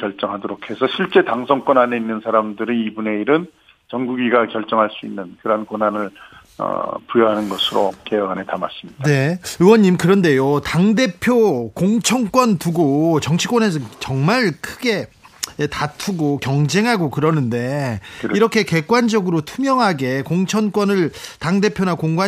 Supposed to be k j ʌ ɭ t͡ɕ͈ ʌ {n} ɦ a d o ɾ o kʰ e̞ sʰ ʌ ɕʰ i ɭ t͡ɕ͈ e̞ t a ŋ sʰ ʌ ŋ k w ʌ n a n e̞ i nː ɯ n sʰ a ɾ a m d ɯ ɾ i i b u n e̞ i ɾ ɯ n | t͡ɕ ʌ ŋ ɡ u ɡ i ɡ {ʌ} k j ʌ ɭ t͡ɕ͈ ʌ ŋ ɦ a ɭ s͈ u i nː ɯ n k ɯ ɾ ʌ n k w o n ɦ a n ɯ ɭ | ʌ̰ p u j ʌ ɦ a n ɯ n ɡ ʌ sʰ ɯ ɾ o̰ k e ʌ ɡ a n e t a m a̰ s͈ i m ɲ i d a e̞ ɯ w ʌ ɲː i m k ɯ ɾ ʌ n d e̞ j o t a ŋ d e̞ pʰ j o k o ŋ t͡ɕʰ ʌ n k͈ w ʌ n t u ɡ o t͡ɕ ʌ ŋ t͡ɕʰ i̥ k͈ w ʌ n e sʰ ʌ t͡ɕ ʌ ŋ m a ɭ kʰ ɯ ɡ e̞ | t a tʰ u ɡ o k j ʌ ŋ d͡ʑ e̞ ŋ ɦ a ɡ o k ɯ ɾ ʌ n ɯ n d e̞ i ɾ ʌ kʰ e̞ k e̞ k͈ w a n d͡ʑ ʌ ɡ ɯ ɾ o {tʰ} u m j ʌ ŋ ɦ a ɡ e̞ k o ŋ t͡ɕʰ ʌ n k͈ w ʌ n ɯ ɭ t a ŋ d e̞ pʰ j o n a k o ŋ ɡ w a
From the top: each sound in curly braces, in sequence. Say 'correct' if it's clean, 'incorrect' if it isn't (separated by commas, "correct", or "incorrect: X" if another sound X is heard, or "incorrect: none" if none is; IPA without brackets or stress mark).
incorrect: ŋ, incorrect: a, correct